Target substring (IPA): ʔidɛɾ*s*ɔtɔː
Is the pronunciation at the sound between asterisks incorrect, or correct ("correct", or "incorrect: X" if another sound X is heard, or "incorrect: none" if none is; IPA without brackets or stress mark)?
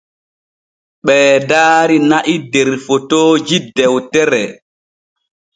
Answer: incorrect: f